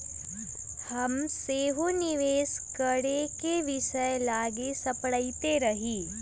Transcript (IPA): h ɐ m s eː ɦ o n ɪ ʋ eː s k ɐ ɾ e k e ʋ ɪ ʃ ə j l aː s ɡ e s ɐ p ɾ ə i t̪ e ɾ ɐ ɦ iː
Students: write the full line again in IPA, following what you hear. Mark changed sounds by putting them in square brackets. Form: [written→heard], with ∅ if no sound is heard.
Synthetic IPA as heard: h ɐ m s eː ɦ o n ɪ ʋ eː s k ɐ [ɾ→ɽ] e k e ʋ ɪ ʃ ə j l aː [s→∅] ɡ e s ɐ p [ɾ→ɽ] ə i t̪ e ɾ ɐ ɦ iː